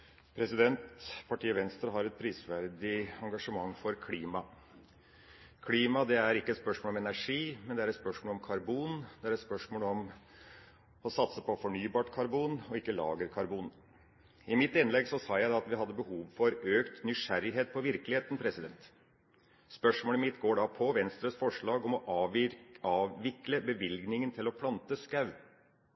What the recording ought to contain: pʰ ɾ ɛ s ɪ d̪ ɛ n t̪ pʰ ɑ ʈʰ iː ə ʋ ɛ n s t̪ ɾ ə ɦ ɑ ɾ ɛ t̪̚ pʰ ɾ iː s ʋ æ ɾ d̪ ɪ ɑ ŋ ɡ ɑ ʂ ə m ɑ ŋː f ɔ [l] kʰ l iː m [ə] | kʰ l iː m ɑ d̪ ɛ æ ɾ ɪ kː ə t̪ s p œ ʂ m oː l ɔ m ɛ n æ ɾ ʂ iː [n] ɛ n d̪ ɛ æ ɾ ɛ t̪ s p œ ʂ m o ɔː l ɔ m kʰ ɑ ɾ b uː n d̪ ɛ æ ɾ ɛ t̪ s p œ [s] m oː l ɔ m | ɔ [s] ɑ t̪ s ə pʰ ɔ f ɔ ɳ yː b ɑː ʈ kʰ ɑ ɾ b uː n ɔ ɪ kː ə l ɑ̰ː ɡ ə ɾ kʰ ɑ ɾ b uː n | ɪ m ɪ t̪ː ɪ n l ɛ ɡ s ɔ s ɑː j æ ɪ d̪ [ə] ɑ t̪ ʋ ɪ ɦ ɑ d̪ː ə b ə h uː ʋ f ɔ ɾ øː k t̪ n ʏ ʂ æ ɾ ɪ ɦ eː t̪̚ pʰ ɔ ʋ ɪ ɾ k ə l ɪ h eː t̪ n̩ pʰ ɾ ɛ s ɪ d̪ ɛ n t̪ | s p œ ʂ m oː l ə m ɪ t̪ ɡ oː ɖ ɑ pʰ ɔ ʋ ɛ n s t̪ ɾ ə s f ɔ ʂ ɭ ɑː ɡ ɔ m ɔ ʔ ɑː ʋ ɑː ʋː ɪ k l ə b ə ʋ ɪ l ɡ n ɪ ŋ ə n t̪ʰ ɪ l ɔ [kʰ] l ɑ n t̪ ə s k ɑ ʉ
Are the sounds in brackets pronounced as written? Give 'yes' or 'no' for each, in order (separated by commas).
no, no, no, no, yes, no, no